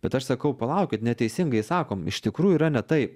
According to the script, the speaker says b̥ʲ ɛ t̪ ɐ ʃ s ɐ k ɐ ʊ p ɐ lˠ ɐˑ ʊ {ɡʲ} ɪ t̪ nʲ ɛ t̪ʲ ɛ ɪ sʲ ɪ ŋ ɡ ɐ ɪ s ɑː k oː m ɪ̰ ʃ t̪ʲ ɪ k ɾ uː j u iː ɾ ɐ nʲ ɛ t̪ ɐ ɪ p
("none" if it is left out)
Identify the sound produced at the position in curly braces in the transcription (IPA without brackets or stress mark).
kʲ